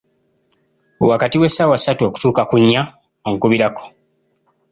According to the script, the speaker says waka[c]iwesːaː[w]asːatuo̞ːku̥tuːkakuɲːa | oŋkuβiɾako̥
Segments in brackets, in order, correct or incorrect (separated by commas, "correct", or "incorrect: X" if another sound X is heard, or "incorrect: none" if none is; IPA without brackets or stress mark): incorrect: t, correct